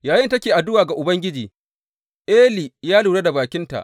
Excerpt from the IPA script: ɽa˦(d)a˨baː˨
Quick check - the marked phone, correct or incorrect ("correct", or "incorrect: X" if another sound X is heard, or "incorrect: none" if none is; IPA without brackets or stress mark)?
correct